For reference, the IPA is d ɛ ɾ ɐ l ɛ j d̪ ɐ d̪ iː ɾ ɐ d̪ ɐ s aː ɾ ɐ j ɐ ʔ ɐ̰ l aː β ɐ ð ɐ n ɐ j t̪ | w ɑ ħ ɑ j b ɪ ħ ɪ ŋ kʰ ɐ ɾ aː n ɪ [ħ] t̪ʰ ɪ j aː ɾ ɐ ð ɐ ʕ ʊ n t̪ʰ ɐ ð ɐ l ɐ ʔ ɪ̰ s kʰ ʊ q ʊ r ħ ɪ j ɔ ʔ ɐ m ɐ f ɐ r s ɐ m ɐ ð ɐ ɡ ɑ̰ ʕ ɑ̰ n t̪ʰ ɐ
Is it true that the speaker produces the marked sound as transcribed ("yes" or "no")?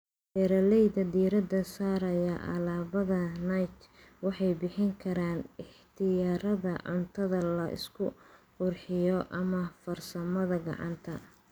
yes